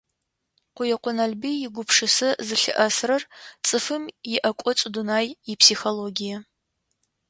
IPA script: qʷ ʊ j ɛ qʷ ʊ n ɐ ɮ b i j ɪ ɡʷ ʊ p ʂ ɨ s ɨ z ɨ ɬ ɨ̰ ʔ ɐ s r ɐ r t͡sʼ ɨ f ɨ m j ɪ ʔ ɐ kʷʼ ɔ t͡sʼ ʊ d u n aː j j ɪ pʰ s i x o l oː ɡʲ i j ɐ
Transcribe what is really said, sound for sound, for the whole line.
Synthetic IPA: qʷ ʊ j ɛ qʷ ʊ n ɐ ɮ b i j ɪ ɡʷ ʊ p ʂ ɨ s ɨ z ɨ ɬ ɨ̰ ʔ ɐ s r ɐ r t͡sʼ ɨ f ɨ m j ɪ ʔ ɐ kʷʼ ɔ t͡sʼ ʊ d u n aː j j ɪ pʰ s i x o l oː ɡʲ i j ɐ